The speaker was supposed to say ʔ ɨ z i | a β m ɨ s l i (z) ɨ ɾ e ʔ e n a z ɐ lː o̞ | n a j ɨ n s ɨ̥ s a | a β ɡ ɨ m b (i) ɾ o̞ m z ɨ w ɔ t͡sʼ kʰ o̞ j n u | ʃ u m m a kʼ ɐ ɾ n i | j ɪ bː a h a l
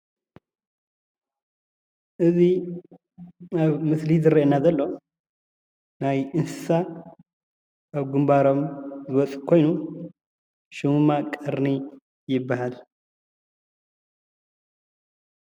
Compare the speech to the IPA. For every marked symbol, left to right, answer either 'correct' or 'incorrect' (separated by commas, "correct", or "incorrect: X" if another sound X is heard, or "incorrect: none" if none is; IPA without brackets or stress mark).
correct, incorrect: a